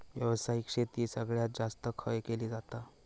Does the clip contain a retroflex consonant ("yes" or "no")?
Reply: yes